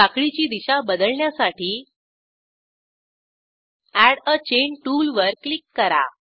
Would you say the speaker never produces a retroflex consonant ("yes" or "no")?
no